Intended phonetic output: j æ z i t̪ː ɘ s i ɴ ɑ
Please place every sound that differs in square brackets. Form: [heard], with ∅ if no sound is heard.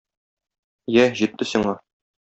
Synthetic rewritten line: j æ [ʑ] i t̪ː ɘ s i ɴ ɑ